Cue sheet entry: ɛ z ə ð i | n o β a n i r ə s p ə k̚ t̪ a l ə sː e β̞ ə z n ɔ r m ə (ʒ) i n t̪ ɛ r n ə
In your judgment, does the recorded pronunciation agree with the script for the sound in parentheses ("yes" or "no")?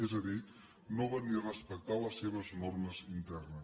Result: no